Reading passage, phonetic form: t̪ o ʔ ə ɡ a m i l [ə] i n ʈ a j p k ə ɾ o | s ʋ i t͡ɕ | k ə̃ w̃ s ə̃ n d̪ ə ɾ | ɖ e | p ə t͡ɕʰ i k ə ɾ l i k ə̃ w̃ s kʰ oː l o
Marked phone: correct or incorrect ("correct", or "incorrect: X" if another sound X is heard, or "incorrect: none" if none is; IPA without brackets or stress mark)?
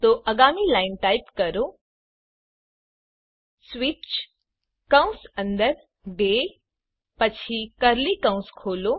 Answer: incorrect: a